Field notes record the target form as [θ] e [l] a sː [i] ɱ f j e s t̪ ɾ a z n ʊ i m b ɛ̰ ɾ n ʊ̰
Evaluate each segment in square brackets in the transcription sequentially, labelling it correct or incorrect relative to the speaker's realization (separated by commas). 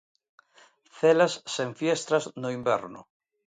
correct, correct, incorrect